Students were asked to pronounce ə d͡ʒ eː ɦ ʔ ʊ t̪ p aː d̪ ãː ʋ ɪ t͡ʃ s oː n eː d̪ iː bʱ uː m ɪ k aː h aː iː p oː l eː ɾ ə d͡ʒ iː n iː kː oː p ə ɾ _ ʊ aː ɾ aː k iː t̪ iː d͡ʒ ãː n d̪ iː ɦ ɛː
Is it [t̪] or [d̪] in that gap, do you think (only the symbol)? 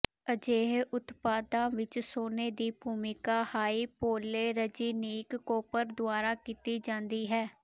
d̪